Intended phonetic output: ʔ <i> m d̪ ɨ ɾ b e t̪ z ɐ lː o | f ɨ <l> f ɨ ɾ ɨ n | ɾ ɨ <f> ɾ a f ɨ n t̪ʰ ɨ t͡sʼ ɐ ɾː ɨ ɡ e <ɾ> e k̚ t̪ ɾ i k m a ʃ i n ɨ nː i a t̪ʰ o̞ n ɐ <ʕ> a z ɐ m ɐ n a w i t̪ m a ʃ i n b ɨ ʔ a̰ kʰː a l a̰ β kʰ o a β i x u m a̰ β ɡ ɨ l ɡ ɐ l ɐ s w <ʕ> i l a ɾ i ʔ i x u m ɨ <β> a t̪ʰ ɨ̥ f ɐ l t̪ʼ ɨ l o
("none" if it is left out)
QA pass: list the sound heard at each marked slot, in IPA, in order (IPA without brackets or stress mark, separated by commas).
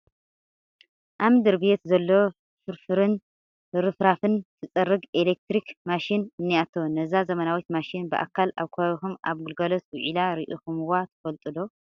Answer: a, ɾ, f, l, z, ʕ, w